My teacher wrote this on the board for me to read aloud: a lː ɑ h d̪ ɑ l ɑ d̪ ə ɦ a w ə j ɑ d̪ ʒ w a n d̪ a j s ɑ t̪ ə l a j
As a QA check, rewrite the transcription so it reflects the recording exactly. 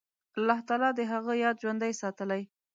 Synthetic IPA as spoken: a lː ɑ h t̪ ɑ l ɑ d̪ ə ɦ a ɣ ə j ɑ d̪ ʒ w a n d̪ a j s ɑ t̪ ə l a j